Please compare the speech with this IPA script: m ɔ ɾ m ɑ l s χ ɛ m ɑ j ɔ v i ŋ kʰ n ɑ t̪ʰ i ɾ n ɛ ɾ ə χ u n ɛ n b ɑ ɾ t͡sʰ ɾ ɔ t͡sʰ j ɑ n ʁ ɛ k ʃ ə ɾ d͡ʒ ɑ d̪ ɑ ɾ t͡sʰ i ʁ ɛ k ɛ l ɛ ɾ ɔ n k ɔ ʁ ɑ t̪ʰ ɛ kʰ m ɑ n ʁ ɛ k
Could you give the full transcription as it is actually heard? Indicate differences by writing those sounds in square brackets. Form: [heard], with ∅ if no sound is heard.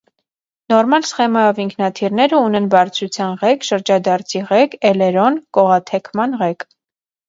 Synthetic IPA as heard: [n] ɔ ɾ m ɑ l s χ ɛ m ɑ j ɔ v i ŋ kʰ n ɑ t̪ʰ i ɾ n ɛ ɾ ə [∅] u n ɛ n b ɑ ɾ t͡sʰ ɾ [u] t͡sʰ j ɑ n ʁ ɛ k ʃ ə ɾ d͡ʒ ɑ d̪ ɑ ɾ t͡sʰ i ʁ ɛ k ɛ l ɛ ɾ ɔ n k ɔ ʁ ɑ t̪ʰ ɛ kʰ m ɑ n ʁ ɛ k